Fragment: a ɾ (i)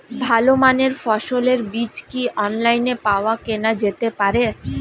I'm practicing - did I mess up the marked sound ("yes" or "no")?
yes